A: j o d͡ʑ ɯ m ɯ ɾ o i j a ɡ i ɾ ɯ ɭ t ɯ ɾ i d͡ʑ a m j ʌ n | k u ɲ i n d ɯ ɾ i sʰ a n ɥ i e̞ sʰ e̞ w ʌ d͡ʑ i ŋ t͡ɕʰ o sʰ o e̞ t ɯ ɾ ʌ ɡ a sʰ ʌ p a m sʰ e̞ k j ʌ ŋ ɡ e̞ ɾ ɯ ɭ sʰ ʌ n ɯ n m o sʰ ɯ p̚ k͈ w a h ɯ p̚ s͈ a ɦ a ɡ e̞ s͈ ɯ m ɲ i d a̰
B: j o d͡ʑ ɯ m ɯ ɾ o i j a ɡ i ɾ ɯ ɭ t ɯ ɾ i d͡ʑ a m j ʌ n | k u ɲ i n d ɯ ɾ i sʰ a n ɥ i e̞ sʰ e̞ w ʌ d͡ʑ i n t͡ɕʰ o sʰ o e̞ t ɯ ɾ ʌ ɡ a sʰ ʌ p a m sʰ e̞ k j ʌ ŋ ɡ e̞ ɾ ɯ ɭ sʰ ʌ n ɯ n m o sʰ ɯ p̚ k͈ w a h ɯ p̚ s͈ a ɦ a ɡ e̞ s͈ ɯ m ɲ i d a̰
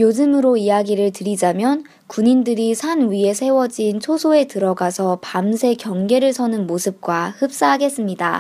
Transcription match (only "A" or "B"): B